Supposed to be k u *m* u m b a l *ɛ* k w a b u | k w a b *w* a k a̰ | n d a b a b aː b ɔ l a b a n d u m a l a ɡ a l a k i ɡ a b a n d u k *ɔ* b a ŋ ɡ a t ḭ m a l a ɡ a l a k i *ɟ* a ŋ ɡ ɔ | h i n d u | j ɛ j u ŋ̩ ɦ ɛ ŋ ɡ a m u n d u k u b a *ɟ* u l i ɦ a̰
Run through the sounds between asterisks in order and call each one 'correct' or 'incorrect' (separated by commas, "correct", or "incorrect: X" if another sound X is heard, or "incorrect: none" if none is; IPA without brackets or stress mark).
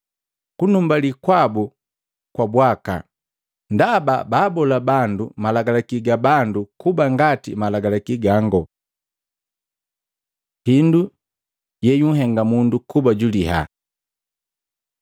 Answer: incorrect: n, incorrect: i, correct, incorrect: u, incorrect: ɡ, correct